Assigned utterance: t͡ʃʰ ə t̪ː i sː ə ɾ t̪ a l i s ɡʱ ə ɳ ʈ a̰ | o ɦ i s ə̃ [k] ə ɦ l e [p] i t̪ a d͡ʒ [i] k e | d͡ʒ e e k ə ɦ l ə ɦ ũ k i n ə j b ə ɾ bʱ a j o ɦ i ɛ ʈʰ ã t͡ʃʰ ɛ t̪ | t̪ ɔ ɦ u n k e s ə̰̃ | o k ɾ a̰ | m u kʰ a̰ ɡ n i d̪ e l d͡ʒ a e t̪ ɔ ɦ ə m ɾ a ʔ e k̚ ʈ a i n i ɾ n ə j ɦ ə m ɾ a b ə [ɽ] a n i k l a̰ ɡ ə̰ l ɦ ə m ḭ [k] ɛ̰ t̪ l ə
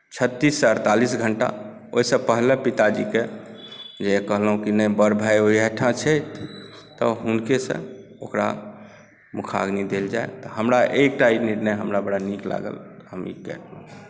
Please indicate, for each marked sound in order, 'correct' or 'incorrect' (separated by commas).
incorrect, correct, correct, correct, correct